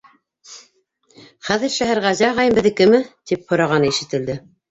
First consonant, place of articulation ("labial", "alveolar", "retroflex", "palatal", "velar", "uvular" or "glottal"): uvular